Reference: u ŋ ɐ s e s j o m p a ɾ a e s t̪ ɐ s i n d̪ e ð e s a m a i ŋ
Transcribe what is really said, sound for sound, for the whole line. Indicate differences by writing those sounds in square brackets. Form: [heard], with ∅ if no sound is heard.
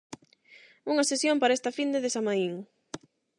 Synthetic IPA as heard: u ŋ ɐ s e s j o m p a ɾ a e s t̪ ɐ [f] i n d̪ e ð e s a m a i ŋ